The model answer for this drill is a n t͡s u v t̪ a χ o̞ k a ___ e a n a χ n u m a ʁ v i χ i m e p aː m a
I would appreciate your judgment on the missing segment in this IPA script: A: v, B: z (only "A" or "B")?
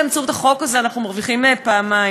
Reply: B